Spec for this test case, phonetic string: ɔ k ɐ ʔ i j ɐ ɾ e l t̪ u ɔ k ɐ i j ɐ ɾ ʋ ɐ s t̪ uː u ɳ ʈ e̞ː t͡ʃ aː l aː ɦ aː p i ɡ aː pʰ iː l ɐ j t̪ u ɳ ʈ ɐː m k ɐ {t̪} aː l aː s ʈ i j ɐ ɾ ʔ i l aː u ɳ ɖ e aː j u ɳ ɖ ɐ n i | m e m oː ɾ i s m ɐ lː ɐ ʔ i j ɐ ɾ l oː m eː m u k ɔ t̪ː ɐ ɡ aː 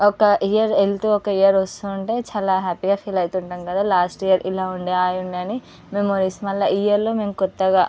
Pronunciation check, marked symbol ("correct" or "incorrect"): incorrect